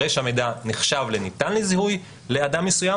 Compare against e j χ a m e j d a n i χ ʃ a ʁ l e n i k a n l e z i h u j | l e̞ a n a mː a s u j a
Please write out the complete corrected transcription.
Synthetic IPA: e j ʃ a m e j d a n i χ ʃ a v l e n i t a n l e z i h u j | l e̞ a d a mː e s u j a